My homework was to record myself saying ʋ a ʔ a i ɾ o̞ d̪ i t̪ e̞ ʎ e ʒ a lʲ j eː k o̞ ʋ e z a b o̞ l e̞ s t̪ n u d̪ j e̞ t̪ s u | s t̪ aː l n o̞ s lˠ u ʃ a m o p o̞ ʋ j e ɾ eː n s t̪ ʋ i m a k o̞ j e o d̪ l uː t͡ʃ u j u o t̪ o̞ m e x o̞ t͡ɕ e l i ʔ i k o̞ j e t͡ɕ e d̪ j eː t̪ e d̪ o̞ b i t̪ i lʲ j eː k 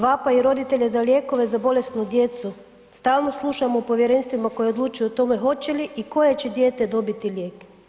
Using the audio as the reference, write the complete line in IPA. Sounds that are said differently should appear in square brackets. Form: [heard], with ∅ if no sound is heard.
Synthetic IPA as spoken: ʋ a [p] a i ɾ o̞ d̪ i t̪ e̞ ʎ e [z] a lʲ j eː k o̞ ʋ e z a b o̞ l e̞ s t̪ n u d̪ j e̞ t̪ s u | s t̪ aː l n o̞ s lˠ u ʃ a m o p o̞ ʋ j e ɾ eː n s t̪ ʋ i m a k o̞ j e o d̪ l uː t͡ʃ u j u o t̪ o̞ m e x o̞ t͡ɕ e l i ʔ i k o̞ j e t͡ɕ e d̪ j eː t̪ e d̪ o̞ b i t̪ i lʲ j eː k